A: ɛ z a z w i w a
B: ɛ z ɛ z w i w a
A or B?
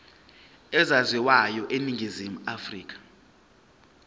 A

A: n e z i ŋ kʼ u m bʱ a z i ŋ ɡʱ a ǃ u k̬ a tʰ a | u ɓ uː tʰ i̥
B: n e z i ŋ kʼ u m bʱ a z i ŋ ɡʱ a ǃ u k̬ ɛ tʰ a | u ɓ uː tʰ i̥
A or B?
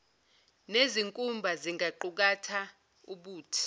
A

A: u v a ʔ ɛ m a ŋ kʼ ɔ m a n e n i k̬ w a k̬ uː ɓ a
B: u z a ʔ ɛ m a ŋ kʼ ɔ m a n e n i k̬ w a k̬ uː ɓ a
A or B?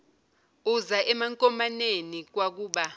B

